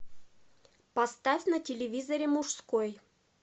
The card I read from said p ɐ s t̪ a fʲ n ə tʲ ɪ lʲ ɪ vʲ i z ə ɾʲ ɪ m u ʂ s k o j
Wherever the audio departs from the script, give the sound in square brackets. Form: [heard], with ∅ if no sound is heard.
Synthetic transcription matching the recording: p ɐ s t̪ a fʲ n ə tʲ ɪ lʲ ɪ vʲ i z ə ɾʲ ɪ m u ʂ s k o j